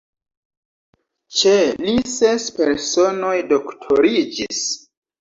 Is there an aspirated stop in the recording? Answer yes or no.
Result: yes